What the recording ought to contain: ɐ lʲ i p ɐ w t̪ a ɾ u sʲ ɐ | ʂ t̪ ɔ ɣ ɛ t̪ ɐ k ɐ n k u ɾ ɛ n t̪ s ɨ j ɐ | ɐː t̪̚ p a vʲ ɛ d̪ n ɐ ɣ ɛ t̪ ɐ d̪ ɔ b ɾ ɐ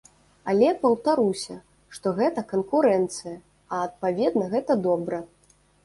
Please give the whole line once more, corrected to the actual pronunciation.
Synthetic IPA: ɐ lʲ ɛ p ɐ w t̪ a ɾ u sʲ ɐ | ʂ t̪ ɔ ɣ ɛ t̪ ɐ k ɐ n k u ɾ ɛ n t̪ s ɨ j ɐ | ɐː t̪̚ p a vʲ ɛ d̪ n ɐ ɣ ɛ t̪ ɐ d̪ ɔ b ɾ ɐ